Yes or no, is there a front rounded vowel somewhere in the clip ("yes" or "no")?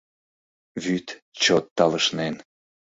yes